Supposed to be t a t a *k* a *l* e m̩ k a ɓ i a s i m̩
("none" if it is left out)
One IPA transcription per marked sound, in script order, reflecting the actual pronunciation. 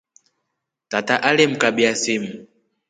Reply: ʔ, l

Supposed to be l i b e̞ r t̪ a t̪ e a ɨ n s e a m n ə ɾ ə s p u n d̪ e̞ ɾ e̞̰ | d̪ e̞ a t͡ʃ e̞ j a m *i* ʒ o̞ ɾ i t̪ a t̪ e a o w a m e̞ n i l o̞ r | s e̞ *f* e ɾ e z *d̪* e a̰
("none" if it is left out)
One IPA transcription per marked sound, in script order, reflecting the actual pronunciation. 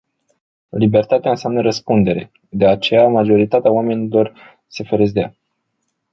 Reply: a, f, d̪

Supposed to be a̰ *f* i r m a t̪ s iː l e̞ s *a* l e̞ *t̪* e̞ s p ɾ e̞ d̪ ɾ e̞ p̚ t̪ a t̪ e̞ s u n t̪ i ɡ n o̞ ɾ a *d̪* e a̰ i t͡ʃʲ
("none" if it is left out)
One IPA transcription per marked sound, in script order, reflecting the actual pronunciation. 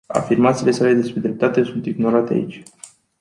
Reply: f, a, d̪, t̪

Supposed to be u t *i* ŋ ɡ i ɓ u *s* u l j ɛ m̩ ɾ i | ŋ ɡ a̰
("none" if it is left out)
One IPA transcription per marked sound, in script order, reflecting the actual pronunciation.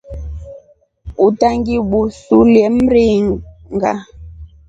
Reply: a, s

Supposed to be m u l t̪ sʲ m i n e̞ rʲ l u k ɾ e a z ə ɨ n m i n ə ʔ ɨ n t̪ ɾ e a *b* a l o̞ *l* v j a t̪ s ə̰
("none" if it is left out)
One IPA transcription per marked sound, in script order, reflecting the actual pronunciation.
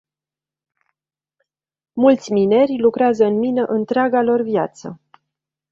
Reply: ɡ, r

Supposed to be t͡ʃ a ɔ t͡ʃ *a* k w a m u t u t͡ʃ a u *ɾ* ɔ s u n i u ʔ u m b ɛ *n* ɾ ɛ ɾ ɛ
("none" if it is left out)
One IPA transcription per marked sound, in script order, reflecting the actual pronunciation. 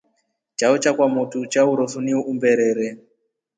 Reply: a, ɾ, none

